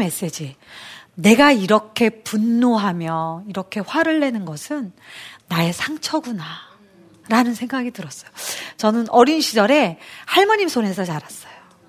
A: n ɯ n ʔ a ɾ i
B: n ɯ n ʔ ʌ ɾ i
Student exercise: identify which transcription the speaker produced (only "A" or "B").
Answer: B